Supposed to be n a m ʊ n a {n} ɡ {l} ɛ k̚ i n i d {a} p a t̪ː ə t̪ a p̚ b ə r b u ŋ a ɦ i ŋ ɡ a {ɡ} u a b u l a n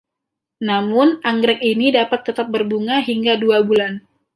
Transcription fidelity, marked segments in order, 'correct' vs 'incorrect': incorrect, incorrect, correct, incorrect

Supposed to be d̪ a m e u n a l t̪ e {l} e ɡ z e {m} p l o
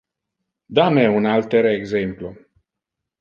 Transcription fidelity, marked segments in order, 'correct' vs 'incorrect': incorrect, correct

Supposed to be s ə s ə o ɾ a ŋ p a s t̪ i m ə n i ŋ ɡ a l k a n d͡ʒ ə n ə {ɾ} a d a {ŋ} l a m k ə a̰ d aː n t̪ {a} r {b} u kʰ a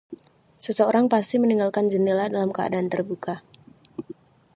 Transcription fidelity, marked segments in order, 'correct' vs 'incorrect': incorrect, incorrect, incorrect, correct

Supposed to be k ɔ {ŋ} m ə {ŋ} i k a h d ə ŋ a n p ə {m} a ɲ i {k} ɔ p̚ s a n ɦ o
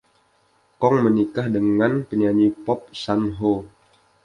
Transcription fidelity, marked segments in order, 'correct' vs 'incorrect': correct, incorrect, incorrect, incorrect

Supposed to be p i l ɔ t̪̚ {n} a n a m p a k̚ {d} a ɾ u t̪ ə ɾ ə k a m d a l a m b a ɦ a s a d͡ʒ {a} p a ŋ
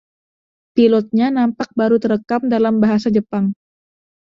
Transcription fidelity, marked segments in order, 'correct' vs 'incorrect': incorrect, incorrect, incorrect

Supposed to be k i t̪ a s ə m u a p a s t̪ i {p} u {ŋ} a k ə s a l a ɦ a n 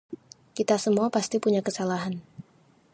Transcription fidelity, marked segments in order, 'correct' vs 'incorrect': correct, incorrect

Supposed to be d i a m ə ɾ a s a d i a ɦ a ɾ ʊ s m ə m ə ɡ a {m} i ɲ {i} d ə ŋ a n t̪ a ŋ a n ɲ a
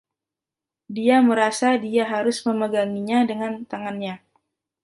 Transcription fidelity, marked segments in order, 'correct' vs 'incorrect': incorrect, incorrect

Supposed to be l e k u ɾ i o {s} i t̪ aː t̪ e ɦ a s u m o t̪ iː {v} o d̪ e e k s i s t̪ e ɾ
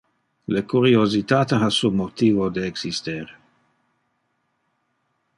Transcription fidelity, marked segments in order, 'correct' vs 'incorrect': incorrect, correct

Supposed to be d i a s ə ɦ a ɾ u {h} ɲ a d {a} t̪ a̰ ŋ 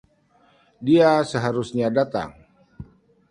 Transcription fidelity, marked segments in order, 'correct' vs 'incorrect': incorrect, correct

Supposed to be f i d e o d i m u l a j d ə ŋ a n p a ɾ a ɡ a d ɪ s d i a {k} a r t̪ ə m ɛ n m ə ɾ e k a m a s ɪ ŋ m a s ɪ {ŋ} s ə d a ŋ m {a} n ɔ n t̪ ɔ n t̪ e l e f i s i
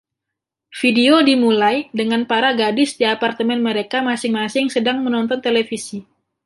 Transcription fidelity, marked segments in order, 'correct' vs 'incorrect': incorrect, correct, incorrect

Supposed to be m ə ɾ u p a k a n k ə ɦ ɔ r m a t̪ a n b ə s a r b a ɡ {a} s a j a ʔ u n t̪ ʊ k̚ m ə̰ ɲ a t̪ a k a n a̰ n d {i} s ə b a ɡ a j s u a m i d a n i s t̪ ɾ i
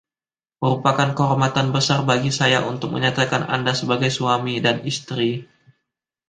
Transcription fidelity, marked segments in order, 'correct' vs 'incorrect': incorrect, incorrect

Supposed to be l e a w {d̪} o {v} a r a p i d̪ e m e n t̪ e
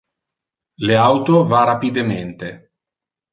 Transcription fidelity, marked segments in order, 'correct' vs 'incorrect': incorrect, correct

